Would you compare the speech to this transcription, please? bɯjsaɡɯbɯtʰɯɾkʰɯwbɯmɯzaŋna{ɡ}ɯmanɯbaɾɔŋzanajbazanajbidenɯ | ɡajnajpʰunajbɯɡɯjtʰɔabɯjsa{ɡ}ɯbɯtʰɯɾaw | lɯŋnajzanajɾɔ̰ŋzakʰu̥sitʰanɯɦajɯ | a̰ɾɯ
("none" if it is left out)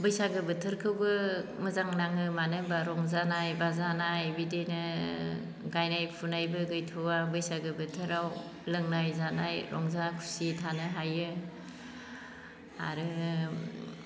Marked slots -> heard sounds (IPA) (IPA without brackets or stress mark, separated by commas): ŋ, ɡ